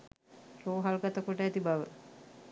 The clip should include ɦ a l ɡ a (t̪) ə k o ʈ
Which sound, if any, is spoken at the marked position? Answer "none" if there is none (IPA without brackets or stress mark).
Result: t̪